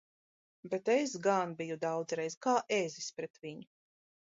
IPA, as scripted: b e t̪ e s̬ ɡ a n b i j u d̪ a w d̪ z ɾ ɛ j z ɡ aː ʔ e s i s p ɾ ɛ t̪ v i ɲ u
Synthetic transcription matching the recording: b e t̪ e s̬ ɡ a n b i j u d̪ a w d̪ z ɾ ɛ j z k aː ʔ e z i s p ɾ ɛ t̪ v i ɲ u

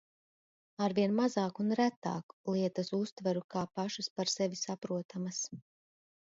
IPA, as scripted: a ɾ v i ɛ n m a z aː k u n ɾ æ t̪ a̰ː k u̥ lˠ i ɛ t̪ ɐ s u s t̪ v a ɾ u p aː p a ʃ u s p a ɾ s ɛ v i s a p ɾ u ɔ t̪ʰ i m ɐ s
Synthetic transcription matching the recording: a ɾ v i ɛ n m a z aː k u n ɾ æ t̪ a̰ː k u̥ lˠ i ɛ t̪ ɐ s u s t̪ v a ɾ u k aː p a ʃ u s p a ɾ s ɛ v i s a p ɾ u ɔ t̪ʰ a m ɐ s

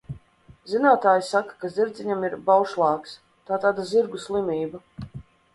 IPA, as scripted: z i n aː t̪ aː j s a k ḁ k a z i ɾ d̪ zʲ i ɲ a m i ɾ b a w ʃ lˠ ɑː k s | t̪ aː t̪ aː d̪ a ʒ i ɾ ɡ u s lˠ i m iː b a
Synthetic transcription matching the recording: z i n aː t̪ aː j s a k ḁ k a z i ɾ d̪ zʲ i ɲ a m i ɾ b a w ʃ lˠ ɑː k s | t̪ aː t̪ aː d̪ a z i ɾ ɡ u s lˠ i m iː b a

